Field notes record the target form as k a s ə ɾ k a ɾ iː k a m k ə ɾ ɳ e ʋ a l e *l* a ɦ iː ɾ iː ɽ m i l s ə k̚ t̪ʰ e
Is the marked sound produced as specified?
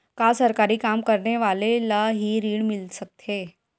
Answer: yes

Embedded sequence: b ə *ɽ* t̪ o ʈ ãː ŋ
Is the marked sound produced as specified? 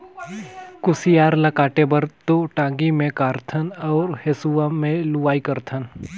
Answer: no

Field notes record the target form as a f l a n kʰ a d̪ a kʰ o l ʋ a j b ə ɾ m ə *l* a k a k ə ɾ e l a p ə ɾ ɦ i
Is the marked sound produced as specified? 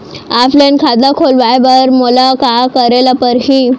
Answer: yes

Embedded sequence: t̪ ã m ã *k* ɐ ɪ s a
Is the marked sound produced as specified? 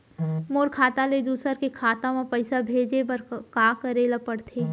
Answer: no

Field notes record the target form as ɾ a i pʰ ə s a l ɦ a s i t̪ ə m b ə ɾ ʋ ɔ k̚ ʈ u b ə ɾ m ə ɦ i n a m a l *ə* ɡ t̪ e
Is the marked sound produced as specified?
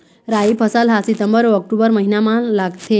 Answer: no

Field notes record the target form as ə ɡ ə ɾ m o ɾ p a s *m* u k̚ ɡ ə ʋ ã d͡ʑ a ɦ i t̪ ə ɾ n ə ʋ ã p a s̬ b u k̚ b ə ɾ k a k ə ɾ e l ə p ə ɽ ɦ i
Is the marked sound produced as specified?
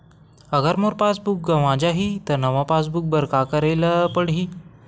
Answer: no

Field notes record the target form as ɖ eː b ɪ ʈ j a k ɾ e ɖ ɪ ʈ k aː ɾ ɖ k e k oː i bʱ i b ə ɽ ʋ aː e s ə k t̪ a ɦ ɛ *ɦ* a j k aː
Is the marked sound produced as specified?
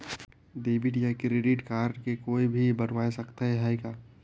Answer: yes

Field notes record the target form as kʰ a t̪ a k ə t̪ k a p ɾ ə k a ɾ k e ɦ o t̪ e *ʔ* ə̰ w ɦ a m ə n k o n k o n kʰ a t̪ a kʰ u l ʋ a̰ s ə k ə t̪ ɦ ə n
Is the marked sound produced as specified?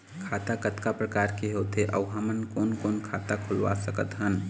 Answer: yes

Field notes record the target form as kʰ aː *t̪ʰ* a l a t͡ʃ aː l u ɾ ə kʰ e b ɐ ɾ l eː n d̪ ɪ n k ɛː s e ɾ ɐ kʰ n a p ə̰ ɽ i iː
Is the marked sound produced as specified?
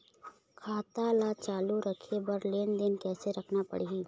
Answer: no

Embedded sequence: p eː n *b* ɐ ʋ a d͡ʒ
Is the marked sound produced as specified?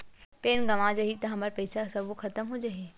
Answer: no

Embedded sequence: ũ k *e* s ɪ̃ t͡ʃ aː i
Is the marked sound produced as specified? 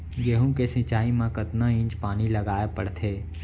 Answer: yes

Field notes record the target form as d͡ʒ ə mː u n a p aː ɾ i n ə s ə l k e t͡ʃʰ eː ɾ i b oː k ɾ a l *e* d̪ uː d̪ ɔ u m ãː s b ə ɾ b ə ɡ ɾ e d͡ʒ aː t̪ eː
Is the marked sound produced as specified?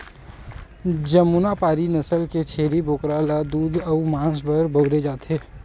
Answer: no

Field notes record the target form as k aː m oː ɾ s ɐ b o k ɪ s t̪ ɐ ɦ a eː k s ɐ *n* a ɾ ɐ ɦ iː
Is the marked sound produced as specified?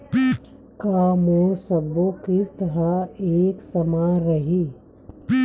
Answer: no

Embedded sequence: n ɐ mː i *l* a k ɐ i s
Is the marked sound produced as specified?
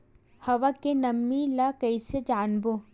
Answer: yes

